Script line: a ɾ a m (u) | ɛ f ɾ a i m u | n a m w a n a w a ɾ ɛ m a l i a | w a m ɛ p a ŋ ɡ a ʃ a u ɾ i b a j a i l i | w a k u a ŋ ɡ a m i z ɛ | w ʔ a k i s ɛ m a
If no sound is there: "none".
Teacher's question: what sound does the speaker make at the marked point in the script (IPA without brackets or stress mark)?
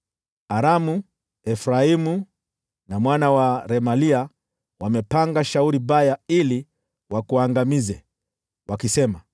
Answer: u